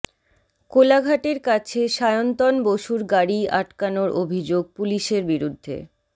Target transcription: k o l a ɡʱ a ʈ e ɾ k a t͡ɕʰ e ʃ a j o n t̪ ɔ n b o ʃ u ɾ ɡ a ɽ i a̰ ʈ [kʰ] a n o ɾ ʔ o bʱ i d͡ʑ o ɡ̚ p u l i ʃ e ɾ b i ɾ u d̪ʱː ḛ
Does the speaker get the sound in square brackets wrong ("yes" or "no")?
yes